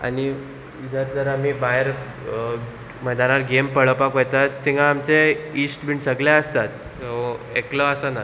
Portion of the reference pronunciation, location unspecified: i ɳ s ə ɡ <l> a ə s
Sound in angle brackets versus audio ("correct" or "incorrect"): correct